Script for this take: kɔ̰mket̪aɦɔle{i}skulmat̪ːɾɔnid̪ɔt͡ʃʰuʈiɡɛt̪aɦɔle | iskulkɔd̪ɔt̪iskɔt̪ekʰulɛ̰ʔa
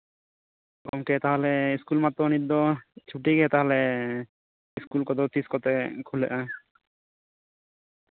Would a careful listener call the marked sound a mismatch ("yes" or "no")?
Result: no